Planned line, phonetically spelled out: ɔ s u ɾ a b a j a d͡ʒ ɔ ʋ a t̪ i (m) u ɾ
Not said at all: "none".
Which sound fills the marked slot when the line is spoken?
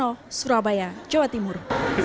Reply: m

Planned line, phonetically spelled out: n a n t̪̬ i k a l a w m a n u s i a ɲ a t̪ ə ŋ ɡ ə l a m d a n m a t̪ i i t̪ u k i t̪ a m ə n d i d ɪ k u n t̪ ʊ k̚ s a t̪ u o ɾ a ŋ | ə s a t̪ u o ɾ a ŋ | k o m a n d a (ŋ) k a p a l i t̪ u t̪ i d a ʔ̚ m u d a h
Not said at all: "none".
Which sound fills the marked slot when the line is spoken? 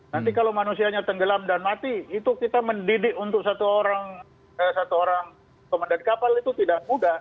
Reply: n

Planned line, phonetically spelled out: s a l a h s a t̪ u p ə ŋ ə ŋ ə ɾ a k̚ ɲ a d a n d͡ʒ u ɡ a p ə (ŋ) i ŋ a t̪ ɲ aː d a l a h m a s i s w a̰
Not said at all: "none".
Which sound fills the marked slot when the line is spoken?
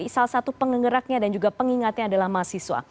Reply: ŋ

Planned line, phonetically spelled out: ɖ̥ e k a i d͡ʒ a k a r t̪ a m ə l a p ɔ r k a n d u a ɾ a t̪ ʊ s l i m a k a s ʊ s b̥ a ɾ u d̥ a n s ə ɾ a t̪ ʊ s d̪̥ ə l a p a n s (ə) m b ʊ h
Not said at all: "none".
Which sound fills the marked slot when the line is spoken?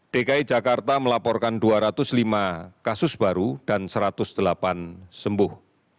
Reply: ə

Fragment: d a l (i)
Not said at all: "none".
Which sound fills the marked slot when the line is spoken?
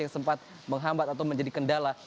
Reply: a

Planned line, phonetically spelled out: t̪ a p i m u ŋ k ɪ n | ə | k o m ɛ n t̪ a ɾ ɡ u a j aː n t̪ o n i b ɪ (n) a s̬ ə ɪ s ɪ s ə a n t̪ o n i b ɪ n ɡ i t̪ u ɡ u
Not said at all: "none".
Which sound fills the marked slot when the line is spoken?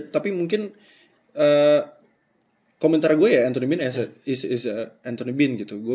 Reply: n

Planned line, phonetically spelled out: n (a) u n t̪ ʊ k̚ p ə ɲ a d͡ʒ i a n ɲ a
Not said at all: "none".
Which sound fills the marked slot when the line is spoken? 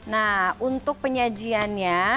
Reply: a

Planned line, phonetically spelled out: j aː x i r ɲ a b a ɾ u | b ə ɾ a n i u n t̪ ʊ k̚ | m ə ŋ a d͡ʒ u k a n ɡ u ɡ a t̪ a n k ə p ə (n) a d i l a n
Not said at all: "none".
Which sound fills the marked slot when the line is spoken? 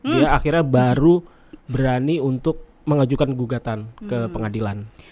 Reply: ŋ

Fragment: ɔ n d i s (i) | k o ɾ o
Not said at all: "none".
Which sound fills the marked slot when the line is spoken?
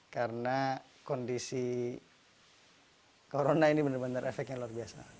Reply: i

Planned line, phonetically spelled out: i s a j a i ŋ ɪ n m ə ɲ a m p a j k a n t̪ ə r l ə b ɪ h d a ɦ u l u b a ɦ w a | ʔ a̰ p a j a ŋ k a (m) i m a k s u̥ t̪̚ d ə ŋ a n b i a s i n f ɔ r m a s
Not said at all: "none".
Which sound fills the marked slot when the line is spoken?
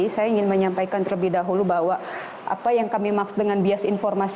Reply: m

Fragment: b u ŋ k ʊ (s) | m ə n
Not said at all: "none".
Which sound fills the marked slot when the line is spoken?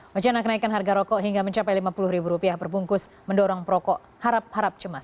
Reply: s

